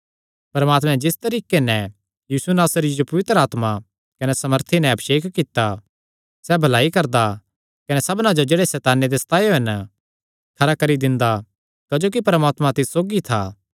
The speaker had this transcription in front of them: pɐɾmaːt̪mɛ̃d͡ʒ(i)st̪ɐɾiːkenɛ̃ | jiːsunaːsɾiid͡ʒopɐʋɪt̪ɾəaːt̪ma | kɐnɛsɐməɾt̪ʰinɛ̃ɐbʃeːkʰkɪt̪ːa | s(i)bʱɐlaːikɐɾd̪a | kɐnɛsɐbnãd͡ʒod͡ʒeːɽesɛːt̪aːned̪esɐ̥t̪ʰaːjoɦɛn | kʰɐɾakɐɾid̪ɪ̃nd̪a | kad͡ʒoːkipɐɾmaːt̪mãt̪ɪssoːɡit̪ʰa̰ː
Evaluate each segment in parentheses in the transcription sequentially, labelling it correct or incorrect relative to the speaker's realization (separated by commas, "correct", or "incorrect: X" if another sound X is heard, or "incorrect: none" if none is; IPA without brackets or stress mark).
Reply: incorrect: ɪ, incorrect: ɛ